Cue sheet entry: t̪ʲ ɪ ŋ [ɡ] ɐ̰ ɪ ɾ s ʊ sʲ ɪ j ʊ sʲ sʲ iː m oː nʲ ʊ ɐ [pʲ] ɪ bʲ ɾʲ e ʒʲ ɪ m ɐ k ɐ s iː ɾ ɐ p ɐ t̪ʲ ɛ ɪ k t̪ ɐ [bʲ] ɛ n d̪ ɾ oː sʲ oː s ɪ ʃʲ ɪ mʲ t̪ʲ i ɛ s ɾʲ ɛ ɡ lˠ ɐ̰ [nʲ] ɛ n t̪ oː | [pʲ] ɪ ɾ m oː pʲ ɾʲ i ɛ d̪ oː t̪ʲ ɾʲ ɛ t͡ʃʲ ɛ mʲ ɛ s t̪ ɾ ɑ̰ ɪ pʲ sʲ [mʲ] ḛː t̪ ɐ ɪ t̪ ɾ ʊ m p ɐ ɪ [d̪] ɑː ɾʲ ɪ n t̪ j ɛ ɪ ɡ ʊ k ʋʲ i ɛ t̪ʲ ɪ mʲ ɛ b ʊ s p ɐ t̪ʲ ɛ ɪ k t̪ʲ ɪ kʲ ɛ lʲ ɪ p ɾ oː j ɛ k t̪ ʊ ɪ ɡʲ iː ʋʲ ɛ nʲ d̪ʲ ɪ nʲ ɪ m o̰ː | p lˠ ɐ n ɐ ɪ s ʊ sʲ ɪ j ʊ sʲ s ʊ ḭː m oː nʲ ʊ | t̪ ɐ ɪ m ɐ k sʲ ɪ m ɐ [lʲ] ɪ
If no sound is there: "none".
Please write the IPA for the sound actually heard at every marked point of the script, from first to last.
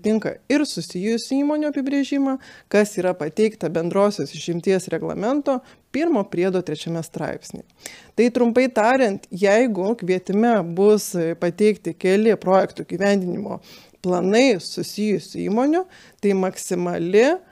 k, pʲ, bʲ, mʲ, pʲ, nʲ, t̪, lʲ

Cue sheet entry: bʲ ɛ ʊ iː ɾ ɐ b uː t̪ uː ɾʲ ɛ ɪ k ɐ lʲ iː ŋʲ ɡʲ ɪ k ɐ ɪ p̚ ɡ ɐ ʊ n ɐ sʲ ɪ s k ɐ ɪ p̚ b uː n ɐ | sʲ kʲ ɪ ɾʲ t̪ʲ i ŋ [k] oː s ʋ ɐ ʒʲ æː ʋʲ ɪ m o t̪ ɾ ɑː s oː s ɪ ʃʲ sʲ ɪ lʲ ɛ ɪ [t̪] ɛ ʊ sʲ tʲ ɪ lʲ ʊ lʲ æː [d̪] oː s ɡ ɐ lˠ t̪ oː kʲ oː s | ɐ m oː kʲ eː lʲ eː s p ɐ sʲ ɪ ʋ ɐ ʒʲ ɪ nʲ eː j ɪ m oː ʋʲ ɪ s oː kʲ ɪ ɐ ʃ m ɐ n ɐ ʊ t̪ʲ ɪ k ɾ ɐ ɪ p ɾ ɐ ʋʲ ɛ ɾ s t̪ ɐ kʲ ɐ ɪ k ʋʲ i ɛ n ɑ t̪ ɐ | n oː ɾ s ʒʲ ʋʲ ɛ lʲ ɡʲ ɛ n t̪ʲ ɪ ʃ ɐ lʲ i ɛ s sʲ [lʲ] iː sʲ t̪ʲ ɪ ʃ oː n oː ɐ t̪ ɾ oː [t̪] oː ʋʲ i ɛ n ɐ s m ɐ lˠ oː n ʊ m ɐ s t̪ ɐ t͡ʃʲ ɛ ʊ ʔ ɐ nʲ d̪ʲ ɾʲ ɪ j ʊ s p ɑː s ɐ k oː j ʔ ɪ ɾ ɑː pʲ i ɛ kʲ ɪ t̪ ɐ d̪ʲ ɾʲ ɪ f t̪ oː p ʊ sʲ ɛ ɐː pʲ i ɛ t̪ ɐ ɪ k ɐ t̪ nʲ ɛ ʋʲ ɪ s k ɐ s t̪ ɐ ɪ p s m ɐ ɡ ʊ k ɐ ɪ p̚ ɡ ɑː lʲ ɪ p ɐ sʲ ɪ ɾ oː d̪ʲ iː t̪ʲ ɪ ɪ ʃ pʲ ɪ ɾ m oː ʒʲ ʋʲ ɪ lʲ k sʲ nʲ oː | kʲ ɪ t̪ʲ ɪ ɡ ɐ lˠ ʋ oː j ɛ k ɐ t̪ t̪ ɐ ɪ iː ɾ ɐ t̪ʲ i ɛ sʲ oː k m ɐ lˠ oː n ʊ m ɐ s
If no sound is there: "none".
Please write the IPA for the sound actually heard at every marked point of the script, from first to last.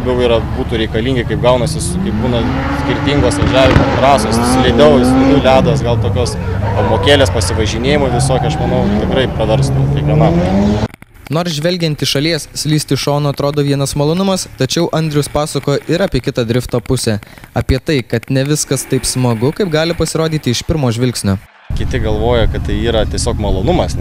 ɡ, d̪, d̪, lʲ, d̪

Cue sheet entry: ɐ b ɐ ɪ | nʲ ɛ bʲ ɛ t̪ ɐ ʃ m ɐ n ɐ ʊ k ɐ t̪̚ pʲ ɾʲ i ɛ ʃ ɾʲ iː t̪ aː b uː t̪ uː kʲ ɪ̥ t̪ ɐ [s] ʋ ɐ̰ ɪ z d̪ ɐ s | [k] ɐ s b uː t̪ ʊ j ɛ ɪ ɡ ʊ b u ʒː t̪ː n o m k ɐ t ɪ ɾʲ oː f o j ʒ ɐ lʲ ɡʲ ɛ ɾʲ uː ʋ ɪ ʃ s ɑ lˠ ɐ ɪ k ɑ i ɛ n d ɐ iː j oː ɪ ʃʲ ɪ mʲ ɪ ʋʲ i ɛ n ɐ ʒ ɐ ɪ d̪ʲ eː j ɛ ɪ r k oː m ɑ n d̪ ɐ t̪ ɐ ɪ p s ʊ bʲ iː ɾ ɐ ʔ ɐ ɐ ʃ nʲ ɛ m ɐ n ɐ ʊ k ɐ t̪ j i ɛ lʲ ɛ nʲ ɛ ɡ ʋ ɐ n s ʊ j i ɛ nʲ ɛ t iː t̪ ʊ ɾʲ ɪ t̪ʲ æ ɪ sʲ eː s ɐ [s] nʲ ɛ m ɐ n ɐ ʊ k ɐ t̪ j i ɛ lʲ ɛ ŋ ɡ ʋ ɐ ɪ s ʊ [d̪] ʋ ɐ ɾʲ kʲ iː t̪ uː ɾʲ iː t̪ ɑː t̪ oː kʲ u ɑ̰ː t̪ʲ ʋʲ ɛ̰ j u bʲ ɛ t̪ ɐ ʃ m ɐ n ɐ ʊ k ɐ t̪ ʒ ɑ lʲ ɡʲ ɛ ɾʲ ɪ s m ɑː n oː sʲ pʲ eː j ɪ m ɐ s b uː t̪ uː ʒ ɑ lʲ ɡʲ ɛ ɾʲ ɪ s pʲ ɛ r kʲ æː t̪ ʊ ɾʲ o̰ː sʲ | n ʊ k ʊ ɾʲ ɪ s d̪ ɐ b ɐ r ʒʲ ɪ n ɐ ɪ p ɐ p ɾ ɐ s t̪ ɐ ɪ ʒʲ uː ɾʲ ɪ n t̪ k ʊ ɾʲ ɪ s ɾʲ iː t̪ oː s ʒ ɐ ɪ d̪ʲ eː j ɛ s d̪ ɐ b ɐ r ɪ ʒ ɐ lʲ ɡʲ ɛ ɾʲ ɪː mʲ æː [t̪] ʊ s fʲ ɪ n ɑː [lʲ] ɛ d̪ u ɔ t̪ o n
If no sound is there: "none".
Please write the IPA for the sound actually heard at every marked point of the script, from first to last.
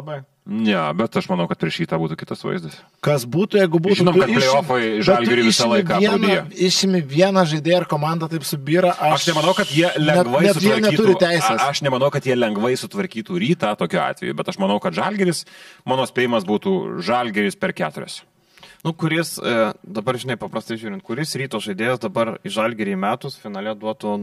s, k, ʃ, t̪, t̪, lʲ

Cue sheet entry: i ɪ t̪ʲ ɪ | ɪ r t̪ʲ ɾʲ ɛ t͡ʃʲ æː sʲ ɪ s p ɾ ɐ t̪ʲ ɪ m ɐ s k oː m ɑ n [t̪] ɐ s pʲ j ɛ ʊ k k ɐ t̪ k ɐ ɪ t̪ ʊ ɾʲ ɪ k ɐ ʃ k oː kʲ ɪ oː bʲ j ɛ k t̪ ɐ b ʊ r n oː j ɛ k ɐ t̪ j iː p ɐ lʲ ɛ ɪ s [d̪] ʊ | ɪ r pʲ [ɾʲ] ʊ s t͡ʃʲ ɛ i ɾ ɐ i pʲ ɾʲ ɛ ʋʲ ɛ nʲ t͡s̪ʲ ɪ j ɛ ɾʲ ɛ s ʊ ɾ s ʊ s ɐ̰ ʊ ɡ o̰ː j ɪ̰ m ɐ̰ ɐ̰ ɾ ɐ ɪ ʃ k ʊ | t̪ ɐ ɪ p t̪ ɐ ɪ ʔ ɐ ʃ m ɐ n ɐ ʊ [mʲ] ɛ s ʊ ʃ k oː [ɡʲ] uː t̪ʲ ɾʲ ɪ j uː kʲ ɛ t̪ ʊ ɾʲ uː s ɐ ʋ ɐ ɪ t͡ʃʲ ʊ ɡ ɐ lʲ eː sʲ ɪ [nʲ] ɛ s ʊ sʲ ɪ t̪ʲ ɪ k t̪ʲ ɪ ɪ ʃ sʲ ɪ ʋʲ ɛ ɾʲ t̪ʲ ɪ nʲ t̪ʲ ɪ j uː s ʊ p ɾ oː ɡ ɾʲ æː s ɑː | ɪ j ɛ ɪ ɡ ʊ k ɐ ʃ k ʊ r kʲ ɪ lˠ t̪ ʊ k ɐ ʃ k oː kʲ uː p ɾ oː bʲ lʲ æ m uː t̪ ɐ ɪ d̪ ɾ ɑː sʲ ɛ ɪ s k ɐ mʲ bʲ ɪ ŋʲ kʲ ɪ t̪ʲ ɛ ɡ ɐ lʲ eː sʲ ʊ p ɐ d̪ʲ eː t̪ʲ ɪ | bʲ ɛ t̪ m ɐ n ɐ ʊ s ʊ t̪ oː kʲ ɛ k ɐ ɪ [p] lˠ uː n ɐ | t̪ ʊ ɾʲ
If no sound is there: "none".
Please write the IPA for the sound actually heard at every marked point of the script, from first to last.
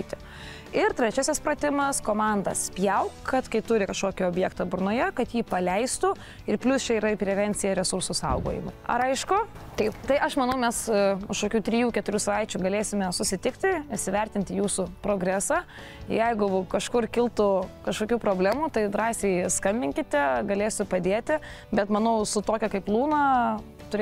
d̪, t̪, lʲ, mʲ, kʲ, mʲ, p

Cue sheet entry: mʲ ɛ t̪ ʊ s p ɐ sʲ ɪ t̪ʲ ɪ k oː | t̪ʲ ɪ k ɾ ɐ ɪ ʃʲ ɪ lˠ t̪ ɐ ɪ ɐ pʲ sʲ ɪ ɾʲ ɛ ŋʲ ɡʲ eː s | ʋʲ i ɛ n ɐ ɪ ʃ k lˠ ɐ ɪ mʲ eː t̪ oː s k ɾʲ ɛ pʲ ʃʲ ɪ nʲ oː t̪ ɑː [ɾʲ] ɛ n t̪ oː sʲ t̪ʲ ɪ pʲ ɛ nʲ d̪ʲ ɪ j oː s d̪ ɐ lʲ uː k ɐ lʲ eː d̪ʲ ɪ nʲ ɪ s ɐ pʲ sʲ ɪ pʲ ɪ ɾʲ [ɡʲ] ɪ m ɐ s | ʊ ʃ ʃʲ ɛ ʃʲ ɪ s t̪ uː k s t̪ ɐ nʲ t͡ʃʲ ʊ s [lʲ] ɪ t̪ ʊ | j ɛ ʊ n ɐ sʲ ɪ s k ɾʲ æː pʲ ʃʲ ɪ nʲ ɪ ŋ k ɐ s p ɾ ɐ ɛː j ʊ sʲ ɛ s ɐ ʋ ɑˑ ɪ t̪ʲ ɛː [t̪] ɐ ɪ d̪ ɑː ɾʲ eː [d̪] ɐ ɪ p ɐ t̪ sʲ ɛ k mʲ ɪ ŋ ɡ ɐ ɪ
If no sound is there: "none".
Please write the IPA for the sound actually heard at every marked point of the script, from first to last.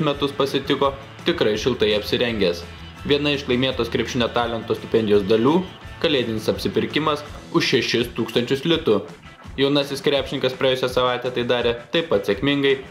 lʲ, kʲ, lʲ, t̪, t̪

